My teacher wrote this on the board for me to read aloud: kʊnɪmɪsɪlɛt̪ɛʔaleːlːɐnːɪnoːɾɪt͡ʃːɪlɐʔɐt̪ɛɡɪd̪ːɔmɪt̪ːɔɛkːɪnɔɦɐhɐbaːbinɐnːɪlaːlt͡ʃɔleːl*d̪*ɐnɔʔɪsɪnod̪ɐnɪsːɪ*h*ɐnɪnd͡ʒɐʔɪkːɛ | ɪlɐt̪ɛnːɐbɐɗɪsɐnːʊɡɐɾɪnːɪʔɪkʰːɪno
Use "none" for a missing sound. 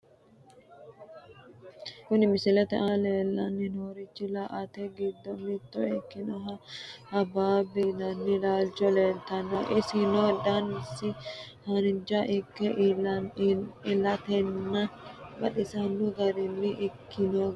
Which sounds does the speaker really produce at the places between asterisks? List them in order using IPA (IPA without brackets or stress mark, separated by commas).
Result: t̪, h